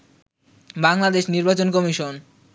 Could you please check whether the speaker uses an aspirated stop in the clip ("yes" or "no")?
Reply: no